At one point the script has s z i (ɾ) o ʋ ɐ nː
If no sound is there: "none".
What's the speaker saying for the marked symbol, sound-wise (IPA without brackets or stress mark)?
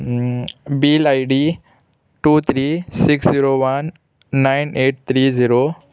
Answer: ɾ